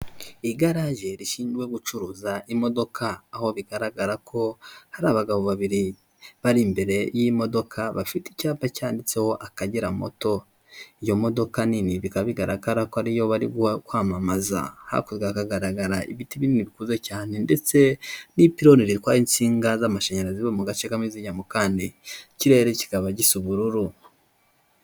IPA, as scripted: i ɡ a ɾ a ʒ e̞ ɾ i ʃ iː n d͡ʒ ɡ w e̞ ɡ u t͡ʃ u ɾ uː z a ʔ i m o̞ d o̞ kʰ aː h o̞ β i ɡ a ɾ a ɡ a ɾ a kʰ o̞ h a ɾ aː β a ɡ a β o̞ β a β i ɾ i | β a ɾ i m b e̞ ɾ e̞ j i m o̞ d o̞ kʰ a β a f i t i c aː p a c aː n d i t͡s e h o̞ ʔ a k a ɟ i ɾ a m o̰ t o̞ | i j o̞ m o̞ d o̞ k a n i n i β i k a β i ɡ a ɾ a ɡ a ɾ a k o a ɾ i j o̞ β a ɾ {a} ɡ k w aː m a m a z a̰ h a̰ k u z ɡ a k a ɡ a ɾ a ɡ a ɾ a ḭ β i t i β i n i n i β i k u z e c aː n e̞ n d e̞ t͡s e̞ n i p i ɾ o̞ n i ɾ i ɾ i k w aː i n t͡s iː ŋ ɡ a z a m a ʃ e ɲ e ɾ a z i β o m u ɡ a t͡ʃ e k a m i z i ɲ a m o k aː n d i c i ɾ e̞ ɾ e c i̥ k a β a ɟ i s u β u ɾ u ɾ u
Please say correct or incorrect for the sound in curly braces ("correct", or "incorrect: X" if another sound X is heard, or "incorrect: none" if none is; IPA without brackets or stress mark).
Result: incorrect: i